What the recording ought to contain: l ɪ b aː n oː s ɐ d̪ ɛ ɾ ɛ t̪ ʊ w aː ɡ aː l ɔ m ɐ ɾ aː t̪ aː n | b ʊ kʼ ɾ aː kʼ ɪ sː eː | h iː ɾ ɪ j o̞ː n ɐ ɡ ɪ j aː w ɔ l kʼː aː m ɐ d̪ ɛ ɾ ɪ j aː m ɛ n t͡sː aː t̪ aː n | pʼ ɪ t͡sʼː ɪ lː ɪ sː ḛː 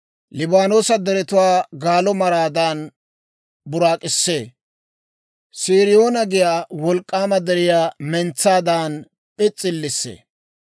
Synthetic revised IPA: l ɪ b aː n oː s ɐ d̪ ɛ ɾ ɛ t̪ ʊ w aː ɡ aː l ɔ m ɐ ɾ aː d̪ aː n | b ʊ ɾ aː kʼ ɪ sː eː | s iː ɾ ɪ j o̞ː n ɐ ɡ ɪ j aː w ɔ l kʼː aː m ɐ d̪ ɛ ɾ ɪ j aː m ɛ n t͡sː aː d̪ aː n | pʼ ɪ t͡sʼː ɪ lː ɪ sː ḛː